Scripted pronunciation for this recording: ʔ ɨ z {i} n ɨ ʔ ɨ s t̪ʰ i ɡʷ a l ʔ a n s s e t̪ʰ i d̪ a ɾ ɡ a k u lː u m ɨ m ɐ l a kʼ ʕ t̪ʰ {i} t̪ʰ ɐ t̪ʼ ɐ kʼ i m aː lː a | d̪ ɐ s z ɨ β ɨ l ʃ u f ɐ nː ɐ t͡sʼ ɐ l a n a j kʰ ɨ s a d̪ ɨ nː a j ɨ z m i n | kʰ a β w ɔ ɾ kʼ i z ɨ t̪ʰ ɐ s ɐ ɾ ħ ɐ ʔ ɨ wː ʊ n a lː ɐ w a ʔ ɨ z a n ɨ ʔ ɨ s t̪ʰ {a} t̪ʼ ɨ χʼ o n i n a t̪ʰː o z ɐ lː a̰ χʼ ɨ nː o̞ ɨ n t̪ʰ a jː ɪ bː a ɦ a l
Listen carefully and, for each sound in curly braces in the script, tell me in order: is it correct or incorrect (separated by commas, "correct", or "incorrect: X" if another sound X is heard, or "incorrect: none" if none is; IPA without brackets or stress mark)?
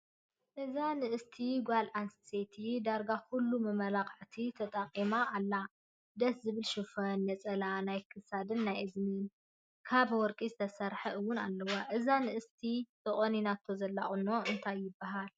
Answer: incorrect: a, correct, incorrect: i